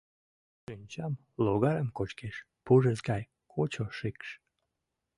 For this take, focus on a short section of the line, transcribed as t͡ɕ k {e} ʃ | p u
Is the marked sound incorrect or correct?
correct